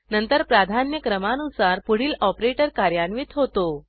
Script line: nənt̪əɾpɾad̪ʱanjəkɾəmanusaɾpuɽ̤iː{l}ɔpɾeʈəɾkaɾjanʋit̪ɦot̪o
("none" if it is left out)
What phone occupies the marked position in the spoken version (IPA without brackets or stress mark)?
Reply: l